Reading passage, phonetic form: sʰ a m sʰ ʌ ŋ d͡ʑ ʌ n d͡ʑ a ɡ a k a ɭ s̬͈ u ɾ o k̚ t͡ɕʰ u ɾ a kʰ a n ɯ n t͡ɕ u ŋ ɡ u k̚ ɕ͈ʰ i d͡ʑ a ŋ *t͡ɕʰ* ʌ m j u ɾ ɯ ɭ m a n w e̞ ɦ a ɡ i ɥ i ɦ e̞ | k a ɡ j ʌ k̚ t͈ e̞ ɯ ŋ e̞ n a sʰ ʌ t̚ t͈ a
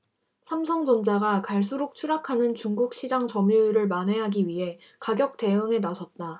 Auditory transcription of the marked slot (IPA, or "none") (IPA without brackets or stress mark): t͡ɕ